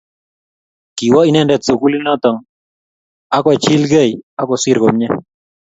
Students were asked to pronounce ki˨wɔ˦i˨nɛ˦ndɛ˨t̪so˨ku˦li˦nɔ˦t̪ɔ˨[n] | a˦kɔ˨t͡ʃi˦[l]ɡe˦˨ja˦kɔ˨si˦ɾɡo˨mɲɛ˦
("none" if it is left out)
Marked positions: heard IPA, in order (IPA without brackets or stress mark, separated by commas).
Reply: ŋ, l